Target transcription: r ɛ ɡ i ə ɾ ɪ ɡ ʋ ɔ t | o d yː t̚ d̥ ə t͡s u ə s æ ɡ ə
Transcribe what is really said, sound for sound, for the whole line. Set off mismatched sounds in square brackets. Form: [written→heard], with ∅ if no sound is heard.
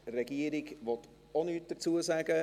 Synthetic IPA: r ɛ ɡ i ə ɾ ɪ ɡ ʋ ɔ t | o [d→n] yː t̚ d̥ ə t͡s u ə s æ ɡ ə